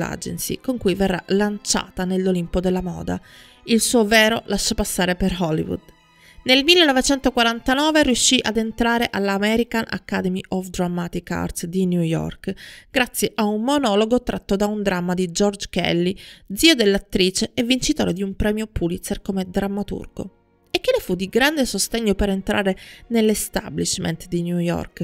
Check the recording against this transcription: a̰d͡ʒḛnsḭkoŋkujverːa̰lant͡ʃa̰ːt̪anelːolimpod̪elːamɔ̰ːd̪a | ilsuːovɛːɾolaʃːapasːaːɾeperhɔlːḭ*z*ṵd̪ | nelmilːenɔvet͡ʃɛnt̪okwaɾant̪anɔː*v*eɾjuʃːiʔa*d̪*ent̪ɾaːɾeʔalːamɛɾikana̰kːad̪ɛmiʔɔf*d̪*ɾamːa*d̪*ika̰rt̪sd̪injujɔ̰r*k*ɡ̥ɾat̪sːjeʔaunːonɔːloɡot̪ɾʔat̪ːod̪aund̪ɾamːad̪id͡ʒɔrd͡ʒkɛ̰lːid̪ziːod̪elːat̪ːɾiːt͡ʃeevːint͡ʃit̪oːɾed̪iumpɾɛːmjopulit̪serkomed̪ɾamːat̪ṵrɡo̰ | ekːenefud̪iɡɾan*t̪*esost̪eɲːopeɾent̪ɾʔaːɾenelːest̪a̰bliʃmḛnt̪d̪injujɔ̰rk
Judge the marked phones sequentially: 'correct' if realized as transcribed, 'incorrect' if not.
incorrect, correct, correct, correct, incorrect, correct, incorrect

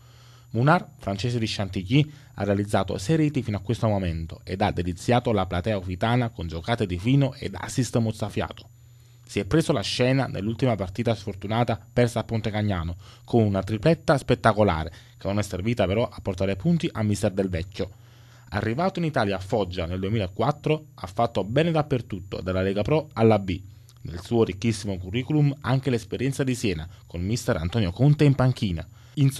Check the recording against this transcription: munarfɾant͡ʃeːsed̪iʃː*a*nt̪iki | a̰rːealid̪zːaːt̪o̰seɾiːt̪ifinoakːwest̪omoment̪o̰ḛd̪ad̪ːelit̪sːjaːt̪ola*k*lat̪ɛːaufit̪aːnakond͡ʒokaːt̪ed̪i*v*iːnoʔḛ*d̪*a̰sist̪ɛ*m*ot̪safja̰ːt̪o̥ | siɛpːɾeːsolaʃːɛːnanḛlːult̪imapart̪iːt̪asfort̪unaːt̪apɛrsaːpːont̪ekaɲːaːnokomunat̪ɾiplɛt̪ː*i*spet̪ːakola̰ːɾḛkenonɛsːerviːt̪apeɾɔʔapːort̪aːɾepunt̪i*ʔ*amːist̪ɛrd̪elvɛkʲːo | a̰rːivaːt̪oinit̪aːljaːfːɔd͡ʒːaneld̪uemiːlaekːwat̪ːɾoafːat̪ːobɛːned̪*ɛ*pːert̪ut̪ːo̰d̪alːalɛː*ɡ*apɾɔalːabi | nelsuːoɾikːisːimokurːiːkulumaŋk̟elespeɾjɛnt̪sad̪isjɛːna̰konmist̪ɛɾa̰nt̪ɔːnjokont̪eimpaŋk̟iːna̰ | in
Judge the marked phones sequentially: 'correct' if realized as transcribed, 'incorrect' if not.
correct, incorrect, incorrect, correct, correct, incorrect, correct, incorrect, correct

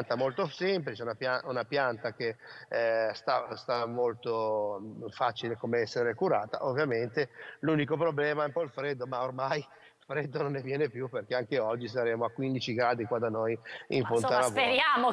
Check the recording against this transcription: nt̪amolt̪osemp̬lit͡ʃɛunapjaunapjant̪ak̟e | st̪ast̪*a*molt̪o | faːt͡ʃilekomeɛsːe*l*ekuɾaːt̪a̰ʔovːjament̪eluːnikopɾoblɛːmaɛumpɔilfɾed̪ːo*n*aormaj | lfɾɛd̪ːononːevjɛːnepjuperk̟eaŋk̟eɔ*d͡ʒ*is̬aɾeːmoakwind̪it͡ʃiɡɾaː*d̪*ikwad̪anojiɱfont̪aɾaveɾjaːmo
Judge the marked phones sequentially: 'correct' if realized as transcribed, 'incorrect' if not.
correct, incorrect, incorrect, incorrect, correct

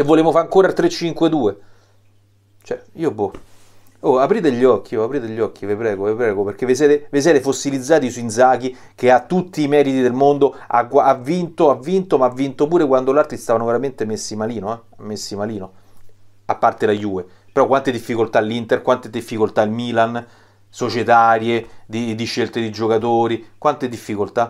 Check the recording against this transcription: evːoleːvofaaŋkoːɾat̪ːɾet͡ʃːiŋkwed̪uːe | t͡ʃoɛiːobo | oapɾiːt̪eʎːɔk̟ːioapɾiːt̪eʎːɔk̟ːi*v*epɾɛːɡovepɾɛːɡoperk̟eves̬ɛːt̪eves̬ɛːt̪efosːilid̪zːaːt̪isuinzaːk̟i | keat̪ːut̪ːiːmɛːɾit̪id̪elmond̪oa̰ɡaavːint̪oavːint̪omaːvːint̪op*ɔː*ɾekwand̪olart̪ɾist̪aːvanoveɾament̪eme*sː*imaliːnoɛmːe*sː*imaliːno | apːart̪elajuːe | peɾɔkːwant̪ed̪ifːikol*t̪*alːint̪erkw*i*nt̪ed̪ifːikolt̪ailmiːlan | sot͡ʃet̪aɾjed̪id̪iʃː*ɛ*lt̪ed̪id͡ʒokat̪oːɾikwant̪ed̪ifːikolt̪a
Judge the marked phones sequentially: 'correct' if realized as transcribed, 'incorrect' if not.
correct, incorrect, correct, correct, correct, incorrect, incorrect

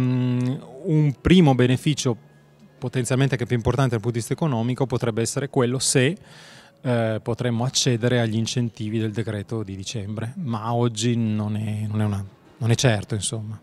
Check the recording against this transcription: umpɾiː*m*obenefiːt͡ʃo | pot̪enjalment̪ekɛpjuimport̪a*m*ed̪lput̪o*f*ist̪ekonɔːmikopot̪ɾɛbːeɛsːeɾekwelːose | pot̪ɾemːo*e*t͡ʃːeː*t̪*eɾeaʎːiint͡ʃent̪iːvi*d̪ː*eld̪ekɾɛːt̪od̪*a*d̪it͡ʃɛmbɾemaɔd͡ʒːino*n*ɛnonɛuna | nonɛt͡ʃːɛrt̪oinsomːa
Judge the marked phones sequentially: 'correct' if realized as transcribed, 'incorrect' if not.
correct, incorrect, incorrect, incorrect, incorrect, incorrect, incorrect, correct

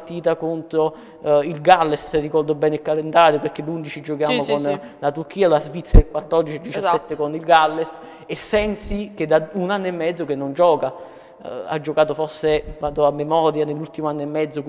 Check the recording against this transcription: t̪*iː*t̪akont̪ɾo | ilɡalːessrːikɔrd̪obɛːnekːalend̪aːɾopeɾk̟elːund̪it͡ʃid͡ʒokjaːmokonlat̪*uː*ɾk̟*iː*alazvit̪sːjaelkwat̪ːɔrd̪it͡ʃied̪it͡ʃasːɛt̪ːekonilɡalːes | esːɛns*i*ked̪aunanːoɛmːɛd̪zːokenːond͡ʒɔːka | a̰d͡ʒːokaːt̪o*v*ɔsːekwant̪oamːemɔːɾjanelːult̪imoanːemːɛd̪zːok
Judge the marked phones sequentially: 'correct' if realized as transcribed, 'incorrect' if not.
correct, incorrect, correct, correct, incorrect

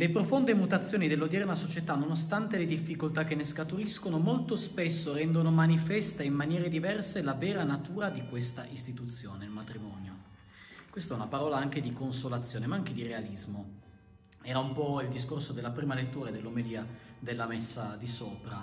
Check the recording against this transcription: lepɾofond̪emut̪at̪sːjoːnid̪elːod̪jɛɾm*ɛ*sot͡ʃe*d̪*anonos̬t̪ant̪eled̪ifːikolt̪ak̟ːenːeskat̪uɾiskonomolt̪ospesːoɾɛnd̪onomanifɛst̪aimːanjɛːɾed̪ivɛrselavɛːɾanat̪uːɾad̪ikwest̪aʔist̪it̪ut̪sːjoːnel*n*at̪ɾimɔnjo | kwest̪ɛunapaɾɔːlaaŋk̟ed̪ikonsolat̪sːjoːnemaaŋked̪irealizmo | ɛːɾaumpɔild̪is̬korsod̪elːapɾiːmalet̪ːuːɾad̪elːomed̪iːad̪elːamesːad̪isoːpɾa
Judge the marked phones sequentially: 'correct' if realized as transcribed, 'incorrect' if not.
incorrect, incorrect, incorrect

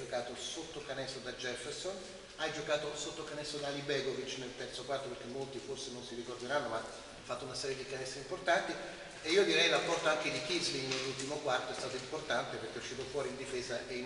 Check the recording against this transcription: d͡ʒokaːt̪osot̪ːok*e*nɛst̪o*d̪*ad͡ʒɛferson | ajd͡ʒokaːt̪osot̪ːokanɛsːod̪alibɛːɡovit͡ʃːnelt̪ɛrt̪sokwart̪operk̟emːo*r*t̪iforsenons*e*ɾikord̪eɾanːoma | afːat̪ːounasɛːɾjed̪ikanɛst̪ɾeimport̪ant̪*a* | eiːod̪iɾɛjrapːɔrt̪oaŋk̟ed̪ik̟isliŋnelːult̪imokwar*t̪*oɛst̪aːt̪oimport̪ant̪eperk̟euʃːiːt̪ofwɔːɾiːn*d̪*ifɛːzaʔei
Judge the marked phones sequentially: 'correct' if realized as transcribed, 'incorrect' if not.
incorrect, correct, incorrect, incorrect, incorrect, correct, correct

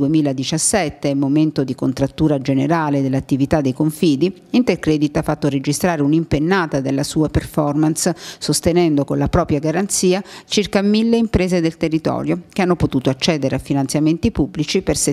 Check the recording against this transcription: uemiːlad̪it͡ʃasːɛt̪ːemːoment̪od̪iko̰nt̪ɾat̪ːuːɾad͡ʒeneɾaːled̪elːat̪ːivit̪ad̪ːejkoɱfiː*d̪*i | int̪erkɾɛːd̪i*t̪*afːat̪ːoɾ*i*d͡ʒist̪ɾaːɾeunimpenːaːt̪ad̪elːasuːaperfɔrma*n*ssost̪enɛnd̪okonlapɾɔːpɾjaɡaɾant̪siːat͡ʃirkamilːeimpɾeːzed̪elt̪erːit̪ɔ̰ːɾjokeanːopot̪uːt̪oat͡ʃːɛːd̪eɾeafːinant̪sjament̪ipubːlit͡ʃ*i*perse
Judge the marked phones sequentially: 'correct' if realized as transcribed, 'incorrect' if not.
correct, correct, incorrect, correct, correct

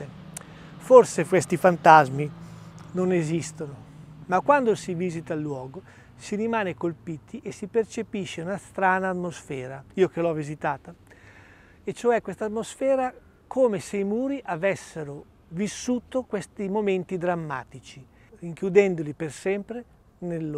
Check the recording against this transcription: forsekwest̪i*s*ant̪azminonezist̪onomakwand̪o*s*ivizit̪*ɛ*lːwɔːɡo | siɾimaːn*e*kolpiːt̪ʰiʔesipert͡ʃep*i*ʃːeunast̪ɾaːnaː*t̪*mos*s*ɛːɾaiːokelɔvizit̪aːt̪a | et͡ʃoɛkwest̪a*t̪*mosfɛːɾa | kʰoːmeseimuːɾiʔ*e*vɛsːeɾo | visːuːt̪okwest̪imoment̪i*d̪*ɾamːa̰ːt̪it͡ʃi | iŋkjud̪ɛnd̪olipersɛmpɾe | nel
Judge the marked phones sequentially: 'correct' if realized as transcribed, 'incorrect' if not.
incorrect, correct, incorrect, correct, correct, correct, incorrect, correct, incorrect, correct

